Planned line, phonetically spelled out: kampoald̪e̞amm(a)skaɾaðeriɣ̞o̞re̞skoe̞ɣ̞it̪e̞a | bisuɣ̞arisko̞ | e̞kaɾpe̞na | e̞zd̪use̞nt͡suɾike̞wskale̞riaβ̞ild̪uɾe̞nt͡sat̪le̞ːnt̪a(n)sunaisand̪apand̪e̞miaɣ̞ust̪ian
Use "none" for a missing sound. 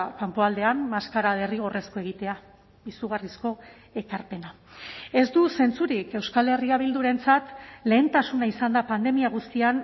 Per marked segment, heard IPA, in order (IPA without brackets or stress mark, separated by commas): a, none